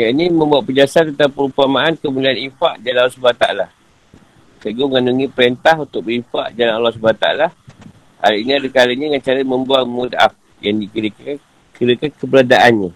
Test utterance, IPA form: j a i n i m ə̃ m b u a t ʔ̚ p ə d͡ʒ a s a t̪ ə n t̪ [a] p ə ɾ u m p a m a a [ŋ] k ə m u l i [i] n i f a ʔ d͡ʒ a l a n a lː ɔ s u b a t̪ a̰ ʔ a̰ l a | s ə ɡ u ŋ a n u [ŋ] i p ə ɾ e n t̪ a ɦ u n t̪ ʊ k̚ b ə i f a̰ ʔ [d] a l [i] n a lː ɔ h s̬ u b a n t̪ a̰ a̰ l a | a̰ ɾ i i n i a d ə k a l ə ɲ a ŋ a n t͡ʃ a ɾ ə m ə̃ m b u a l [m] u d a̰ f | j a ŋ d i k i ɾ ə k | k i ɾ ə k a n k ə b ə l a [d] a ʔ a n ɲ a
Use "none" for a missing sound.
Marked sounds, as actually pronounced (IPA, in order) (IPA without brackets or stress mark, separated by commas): a, n, a, ŋ, d͡ʒ, a, m, d